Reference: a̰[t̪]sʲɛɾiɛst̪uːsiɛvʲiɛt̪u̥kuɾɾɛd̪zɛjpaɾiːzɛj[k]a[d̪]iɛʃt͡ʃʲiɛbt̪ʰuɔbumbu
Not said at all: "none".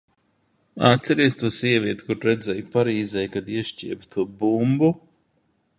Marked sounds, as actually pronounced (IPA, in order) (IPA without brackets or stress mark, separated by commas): t̪, k, d̪